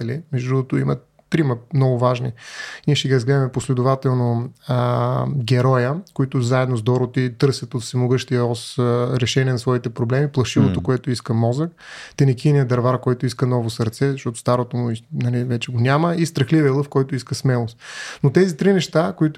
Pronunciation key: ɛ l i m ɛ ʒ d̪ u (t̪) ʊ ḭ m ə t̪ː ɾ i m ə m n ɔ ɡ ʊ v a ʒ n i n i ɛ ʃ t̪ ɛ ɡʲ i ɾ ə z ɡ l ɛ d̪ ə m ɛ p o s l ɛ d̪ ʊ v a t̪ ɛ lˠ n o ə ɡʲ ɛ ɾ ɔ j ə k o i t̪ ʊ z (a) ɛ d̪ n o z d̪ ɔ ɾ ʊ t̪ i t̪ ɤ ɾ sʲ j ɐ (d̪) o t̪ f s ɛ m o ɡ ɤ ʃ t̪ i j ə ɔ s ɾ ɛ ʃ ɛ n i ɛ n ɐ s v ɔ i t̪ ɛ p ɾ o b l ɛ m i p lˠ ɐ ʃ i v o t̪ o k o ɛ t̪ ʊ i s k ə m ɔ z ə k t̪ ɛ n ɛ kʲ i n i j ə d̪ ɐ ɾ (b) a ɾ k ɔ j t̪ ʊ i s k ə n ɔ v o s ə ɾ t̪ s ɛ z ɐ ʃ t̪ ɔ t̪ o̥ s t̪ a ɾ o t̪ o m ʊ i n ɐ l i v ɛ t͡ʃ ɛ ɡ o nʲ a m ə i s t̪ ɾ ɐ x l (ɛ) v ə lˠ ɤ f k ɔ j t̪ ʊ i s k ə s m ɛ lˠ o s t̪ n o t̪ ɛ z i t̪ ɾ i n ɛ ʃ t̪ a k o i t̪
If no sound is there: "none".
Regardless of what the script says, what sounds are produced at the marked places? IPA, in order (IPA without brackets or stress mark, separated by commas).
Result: t̪, a, t̪, v, i